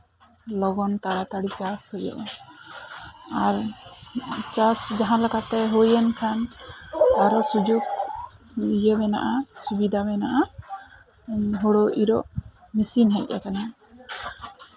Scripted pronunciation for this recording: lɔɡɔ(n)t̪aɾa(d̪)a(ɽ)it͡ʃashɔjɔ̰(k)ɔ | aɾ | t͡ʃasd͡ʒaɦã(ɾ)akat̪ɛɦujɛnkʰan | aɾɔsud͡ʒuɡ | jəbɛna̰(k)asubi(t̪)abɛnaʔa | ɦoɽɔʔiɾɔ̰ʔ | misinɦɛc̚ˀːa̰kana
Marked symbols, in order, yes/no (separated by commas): yes, no, yes, no, no, no, no